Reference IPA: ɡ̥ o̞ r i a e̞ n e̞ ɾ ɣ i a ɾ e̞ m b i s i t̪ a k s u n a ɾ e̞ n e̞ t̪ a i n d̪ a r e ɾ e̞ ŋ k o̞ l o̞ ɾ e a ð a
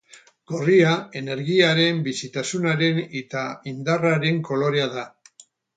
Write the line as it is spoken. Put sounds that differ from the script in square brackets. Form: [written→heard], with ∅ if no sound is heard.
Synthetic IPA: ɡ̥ o̞ r i a e̞ n e̞ ɾ ɣ i a ɾ e̞ m b i s i t̪ a [k→∅] s u n a ɾ e̞ n e̞ t̪ a i n d̪ a r [e→a] ɾ e̞ ŋ k o̞ l o̞ ɾ e a ð a